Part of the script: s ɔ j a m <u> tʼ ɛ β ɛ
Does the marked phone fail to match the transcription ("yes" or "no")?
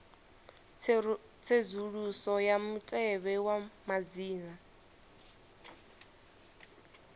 no